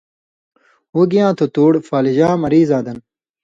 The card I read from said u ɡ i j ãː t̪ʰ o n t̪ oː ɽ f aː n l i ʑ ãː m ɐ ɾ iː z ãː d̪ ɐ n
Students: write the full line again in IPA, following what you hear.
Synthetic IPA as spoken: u ɡ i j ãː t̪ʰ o t̪ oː ɽ f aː l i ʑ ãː m ɐ ɾ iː z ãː d̪ ɐ n